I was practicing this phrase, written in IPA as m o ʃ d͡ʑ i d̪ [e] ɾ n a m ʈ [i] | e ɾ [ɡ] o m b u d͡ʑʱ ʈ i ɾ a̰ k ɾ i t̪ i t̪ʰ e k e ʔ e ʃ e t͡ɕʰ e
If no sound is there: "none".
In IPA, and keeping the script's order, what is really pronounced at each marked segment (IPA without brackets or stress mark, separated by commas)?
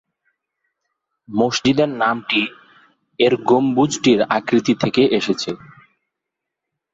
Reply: e, i, ɡ